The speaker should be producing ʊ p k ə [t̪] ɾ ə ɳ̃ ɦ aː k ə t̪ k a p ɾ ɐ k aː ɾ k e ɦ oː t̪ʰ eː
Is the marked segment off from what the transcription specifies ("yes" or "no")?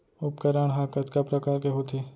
yes